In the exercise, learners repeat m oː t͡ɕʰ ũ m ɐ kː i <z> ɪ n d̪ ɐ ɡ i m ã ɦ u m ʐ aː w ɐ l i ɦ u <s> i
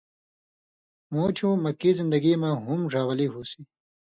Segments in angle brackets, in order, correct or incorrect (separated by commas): correct, correct